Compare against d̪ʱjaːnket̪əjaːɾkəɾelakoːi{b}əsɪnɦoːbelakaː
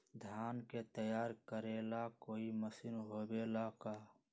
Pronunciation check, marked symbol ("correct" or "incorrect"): incorrect